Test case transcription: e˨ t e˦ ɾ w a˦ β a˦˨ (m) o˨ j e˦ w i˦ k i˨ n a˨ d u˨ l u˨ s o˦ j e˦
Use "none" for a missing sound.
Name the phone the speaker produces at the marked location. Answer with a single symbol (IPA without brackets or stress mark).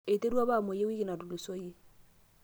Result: m